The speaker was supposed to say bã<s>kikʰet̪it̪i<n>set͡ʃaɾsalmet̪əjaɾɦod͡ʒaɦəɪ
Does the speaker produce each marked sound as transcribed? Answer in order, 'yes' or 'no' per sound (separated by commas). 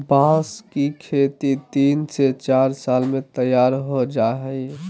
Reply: yes, yes